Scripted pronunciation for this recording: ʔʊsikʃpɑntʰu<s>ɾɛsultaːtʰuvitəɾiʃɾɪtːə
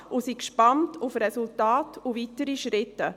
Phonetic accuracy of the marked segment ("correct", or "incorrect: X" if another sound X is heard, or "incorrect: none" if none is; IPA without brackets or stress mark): incorrect: f